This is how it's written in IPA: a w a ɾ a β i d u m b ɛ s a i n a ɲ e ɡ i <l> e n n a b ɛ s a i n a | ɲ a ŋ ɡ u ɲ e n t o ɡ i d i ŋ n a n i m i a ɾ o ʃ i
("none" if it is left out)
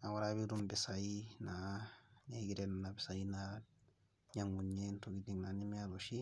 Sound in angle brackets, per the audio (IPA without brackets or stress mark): ɾ